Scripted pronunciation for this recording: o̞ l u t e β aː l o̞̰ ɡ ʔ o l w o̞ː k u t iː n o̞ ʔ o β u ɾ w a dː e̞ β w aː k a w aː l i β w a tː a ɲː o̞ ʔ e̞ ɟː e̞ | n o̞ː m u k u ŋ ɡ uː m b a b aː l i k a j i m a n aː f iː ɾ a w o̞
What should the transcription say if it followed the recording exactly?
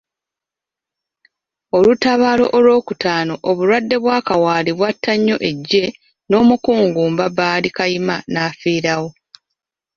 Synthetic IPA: o̞ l u t a β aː l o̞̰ ʔ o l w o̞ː k u t aː n o̞ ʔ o β u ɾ w a dː e̞ β w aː k a w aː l i β w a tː a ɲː o̞ ʔ e̞ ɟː e̞ | n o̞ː m u k uː ŋ ɡ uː m b a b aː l i k a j i m a n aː f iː ɾ a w o̞